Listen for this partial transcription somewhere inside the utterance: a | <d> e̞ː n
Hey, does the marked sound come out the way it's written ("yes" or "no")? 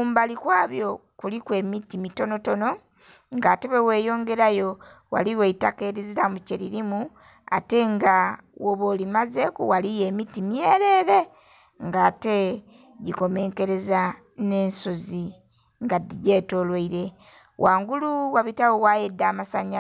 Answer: no